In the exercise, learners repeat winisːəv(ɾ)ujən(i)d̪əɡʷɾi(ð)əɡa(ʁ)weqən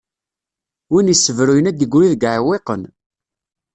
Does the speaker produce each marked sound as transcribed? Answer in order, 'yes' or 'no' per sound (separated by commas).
yes, no, yes, no